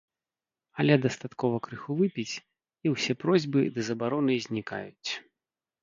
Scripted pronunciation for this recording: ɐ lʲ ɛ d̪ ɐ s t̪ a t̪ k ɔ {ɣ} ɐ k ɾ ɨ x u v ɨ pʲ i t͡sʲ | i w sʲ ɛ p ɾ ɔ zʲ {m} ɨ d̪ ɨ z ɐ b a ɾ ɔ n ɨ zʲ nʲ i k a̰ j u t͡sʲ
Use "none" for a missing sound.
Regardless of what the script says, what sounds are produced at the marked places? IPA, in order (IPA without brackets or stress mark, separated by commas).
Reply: v, b